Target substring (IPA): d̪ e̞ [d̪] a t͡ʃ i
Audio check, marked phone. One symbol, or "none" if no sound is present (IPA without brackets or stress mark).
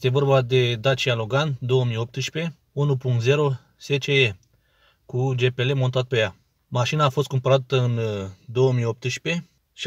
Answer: d̪